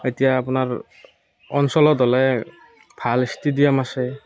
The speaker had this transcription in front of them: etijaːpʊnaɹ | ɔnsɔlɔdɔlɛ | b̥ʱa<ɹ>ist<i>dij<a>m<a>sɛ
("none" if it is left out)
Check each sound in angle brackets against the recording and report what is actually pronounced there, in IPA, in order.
l, i, a, a

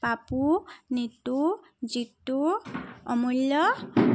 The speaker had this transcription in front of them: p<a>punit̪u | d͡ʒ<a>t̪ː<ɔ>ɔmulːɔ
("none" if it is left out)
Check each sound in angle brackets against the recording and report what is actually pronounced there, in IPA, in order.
a, i, u

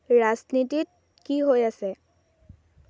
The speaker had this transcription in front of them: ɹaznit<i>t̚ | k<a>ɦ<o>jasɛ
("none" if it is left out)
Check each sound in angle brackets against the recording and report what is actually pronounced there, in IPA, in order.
i, i, o

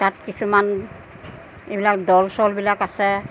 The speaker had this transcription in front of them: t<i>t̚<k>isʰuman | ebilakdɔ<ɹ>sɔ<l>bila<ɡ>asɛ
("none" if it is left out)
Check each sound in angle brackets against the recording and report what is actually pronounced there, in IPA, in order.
a, k, l, l, k

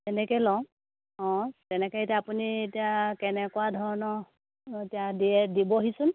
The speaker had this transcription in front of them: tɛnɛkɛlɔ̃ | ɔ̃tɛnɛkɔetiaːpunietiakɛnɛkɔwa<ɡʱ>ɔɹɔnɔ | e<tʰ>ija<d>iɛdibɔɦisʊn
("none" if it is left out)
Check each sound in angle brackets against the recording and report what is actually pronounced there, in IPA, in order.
dʱ, t, d

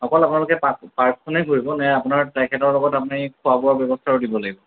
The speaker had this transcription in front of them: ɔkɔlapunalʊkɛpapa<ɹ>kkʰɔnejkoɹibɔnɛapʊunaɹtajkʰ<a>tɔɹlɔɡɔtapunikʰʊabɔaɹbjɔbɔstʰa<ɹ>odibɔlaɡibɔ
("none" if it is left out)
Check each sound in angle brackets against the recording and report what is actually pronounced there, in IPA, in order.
ɹ, ɛ, ɹ

